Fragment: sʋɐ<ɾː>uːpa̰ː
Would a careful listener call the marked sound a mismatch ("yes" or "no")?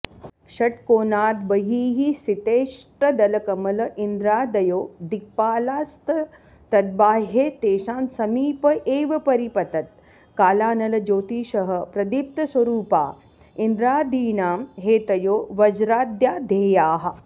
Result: yes